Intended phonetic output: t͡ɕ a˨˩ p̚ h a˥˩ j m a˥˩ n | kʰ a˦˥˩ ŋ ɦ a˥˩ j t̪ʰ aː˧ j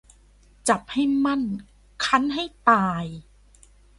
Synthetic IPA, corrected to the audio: t͡ɕ a˨˩ p̚ h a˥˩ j m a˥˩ n | kʰ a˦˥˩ n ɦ a˥˩ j t̪ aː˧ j